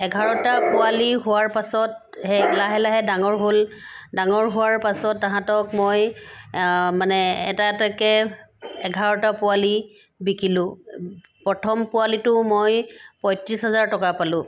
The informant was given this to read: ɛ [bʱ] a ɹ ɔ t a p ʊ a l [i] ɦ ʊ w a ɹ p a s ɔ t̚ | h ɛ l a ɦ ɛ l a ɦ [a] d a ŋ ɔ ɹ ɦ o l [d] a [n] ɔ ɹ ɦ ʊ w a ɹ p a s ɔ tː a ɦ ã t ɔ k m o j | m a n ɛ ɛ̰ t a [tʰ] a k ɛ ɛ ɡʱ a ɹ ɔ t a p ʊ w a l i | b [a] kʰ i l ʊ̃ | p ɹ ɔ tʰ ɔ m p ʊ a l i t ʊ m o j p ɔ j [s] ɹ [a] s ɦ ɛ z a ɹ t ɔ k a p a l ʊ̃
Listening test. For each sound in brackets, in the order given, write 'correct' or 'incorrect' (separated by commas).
incorrect, correct, incorrect, correct, incorrect, incorrect, incorrect, incorrect, incorrect